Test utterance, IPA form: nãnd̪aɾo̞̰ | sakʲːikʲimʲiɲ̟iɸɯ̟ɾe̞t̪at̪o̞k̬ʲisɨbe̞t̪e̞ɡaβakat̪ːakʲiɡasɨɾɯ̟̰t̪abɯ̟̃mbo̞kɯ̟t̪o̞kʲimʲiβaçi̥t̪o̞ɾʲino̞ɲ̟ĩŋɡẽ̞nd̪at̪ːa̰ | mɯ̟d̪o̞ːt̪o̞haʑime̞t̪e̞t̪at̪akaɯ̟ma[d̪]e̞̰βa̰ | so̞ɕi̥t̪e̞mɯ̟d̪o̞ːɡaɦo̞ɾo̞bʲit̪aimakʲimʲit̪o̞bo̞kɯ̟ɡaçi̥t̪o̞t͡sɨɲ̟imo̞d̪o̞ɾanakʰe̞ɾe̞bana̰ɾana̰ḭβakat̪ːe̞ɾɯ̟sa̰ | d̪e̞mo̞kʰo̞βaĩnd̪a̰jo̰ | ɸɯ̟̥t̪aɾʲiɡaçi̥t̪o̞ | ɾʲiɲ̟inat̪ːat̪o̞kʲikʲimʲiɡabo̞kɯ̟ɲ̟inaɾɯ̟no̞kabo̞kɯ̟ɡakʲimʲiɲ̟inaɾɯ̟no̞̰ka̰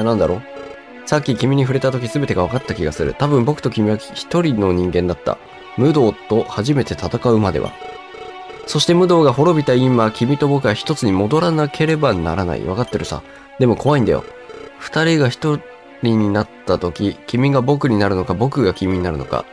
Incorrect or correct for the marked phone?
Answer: correct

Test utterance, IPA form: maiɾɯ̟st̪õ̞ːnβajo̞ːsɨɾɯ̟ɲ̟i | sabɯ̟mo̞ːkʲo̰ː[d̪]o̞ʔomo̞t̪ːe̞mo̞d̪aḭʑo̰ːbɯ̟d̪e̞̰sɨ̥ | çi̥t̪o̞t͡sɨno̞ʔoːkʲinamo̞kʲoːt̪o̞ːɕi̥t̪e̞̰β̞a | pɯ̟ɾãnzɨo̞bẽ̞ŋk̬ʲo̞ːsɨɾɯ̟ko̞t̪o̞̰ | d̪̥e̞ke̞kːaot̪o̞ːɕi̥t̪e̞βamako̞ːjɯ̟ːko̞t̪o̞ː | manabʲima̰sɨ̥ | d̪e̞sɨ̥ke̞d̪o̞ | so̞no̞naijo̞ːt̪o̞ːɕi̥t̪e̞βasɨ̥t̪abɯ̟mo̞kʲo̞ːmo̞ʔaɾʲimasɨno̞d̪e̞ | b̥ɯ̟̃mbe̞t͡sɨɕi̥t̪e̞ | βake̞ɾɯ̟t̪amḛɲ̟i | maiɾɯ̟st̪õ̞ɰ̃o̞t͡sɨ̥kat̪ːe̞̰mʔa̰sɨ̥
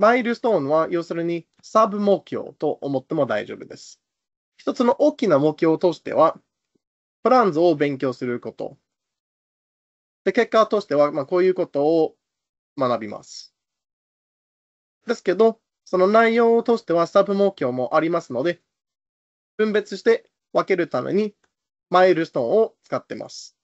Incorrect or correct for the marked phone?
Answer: incorrect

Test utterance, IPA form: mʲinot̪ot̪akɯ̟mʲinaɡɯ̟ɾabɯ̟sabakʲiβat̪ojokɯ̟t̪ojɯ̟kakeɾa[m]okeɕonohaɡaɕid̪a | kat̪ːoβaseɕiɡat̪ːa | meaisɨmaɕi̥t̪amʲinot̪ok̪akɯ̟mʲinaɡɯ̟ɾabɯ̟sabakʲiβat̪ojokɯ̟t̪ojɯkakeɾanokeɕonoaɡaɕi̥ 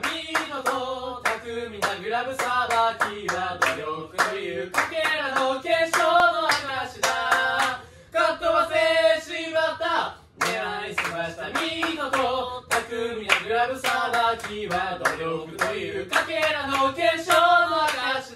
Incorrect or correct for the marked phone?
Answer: incorrect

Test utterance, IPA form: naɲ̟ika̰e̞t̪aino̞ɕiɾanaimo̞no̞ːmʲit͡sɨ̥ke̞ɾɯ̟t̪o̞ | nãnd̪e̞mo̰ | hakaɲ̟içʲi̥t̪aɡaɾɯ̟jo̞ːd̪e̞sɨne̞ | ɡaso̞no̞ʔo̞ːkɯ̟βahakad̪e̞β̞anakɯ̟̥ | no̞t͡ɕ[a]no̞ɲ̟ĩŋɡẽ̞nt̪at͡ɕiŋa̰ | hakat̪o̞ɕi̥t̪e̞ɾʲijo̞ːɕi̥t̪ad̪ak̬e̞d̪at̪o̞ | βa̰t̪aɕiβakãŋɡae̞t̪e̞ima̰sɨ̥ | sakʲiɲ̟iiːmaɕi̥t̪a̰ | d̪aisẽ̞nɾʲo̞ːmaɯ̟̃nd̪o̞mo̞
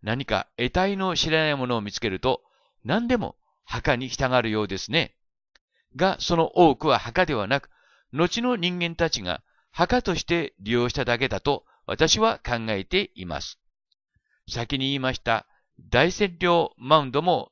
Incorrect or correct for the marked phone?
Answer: incorrect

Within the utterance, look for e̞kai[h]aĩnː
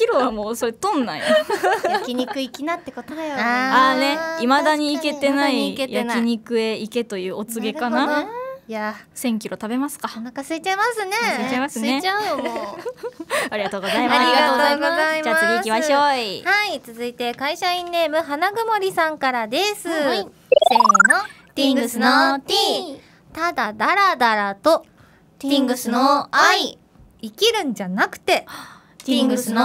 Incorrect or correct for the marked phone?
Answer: incorrect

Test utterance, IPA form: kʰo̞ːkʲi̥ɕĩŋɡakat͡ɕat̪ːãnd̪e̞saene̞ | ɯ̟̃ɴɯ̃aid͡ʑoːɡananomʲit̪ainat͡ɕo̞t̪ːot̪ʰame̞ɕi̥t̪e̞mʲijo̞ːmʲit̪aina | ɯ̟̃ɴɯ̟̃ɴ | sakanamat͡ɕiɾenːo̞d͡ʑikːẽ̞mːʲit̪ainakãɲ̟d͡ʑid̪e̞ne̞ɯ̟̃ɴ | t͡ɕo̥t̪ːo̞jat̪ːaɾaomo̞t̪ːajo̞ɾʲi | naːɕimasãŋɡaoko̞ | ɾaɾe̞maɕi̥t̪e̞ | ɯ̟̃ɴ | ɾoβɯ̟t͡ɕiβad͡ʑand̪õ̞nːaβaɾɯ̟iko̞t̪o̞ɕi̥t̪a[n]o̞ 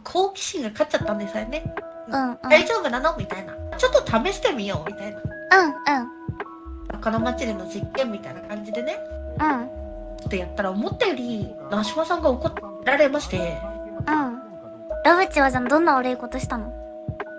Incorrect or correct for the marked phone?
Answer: correct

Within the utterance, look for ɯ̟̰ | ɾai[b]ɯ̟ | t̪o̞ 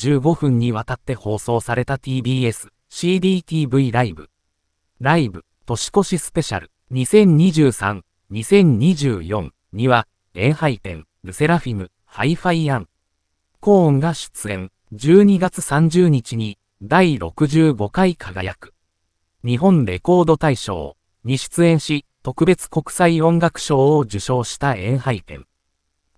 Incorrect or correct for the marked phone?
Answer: correct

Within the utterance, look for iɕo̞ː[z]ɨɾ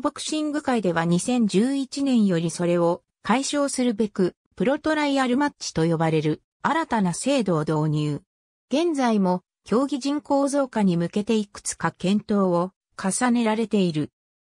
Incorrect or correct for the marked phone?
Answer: incorrect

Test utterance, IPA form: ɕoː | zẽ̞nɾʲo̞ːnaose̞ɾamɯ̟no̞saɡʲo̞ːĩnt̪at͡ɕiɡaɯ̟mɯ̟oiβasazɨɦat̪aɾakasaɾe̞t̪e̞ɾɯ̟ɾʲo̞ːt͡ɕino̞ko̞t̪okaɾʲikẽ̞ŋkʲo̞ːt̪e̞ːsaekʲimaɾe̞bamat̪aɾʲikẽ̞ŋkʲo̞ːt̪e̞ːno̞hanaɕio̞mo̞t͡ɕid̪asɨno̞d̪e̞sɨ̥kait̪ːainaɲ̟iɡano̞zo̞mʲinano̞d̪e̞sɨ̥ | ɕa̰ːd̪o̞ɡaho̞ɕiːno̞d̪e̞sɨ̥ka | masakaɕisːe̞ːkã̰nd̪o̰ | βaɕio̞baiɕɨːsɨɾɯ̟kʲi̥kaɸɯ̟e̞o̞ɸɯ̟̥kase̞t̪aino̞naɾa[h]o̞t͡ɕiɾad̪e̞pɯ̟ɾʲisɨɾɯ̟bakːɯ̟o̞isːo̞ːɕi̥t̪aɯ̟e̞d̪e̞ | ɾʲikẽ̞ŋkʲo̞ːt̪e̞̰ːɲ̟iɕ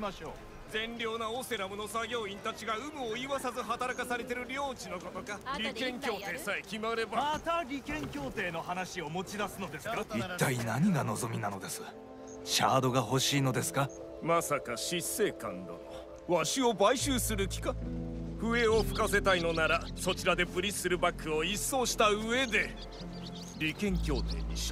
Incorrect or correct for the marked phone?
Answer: incorrect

